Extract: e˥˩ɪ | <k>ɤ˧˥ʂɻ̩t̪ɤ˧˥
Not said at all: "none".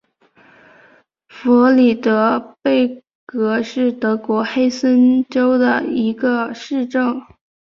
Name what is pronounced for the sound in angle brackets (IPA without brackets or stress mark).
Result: k